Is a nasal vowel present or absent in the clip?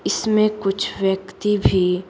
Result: present